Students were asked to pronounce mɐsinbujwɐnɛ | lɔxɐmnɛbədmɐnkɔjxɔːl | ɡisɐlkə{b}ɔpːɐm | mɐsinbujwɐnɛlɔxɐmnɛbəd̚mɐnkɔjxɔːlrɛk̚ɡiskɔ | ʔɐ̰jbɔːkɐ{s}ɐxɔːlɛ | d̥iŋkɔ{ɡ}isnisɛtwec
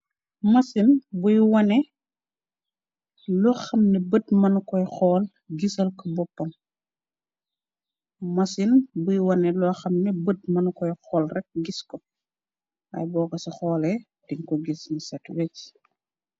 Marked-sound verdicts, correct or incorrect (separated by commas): correct, correct, correct